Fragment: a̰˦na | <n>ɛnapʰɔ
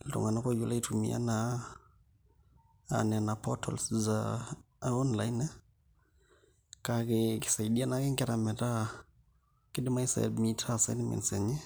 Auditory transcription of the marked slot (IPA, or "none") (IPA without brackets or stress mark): n